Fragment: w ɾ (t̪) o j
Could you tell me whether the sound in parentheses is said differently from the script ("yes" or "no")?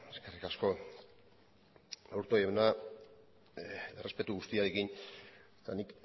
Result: no